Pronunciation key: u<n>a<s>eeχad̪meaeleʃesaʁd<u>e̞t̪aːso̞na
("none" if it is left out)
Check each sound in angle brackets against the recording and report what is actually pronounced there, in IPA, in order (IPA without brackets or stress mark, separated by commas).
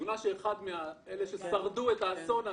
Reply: n, ʃ, u